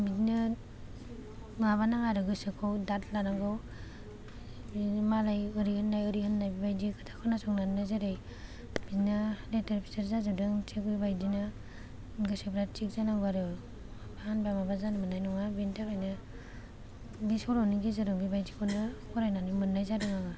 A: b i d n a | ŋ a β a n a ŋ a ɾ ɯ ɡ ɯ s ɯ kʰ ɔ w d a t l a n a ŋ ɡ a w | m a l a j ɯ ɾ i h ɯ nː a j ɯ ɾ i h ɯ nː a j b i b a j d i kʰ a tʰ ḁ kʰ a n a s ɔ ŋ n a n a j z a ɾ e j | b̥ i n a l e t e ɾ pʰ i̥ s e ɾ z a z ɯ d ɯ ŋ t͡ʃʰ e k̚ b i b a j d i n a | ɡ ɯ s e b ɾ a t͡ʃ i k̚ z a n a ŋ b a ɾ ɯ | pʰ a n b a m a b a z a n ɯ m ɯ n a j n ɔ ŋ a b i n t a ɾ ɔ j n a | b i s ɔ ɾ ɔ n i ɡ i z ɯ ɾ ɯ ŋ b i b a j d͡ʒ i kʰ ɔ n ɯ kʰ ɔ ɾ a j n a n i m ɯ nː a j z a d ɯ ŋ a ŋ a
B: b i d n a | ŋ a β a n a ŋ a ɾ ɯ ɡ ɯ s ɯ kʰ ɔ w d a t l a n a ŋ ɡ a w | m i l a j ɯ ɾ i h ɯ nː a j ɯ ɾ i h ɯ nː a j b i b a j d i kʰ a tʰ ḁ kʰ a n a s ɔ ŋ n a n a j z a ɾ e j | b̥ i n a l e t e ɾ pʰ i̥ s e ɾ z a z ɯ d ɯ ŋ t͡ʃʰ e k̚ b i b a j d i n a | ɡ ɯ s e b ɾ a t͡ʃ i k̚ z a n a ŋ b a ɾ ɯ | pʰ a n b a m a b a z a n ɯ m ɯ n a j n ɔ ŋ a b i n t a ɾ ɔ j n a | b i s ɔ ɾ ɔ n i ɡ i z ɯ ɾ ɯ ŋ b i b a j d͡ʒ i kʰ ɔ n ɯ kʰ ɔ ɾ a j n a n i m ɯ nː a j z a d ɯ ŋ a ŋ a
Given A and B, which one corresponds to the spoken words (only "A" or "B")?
A